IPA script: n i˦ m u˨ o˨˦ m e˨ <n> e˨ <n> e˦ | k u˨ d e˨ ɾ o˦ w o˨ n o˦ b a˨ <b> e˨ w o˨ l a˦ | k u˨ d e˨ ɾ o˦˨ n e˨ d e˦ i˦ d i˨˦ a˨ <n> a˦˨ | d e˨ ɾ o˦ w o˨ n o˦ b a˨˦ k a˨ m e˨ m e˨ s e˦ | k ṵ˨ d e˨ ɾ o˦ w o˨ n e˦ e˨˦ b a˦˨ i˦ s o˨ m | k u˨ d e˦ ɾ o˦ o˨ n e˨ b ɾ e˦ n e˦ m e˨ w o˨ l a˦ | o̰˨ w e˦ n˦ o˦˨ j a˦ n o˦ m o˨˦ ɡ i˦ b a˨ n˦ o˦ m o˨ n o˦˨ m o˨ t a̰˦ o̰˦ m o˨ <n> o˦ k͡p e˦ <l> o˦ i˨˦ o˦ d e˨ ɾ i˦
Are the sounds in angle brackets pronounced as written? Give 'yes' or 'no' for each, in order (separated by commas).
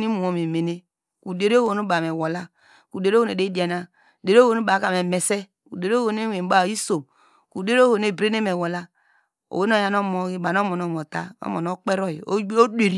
no, yes, no, yes, yes, no